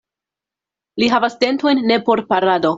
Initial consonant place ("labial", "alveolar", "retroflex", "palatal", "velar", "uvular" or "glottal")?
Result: alveolar